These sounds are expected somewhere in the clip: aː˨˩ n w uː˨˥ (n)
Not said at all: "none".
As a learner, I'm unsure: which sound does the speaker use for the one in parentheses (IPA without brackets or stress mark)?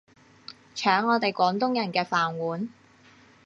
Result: n